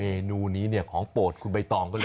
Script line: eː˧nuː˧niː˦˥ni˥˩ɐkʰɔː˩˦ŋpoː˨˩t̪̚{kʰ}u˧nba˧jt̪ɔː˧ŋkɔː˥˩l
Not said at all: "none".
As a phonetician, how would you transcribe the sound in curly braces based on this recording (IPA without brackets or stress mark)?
kʰ